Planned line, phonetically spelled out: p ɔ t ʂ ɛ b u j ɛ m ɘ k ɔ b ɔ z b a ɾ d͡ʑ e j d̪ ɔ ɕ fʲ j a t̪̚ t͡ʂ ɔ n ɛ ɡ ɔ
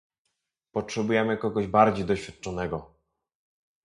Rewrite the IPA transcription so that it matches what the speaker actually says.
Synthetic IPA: p ɔ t ʂ ɛ b u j ɛ m ɘ k ɔ ɡ ɔ ʑ b a ɾ d͡ʑ e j d̪ ɔ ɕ fʲ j a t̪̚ t͡ʂ ɔ n ɛ ɡ ɔ

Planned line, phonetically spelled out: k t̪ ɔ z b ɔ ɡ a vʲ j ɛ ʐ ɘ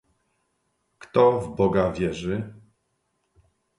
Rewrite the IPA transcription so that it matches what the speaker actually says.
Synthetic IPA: k t̪ ɔ v b ɔ ɡ a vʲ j ɛ ʐ ɘ

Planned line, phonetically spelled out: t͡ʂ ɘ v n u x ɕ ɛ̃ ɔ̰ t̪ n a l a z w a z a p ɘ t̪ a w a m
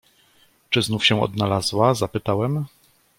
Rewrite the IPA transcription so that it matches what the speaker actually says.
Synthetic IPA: t͡ʂ ɘ z n u f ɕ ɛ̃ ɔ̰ d̪ n a l a z w a z a p ɘ t̪ a w ɛ m

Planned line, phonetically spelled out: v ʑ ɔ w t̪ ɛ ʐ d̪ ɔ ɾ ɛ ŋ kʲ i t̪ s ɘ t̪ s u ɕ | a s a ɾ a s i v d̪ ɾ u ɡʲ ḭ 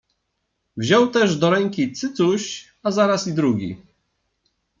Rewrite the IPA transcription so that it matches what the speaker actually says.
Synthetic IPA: v ʑ ɔ w t̪ ɛ ʐ d̪ ɔ ɾ ɛ ŋ kʲ i t̪ s ɘ t̪ s u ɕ | a z a ɾ a s i d̪ ɾ u ɡʲ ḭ

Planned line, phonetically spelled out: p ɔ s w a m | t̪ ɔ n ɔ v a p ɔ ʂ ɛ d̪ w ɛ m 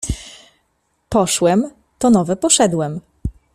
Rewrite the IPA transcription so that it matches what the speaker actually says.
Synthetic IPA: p ɔ ʂ w ɛ m | t̪ ɔ n ɔ v ɛ p ɔ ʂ ɛ d̪ w ɛ m

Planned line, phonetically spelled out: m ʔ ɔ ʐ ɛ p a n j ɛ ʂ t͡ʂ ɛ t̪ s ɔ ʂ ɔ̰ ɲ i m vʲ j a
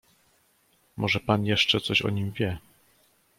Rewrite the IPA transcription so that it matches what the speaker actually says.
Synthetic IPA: m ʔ ɔ ʐ ɛ p a n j ɛ ʂ t͡ʂ ɛ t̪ s ɔ ɕ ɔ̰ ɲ i m vʲ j ɛ

